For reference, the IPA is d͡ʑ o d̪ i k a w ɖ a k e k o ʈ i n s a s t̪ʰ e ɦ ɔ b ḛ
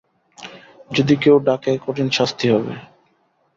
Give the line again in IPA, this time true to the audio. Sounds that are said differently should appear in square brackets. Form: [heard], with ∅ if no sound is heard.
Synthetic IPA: d͡ʑ o d̪ i k [e] w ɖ a k e k o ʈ i n [ʃ] a s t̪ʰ [i] ɦ ɔ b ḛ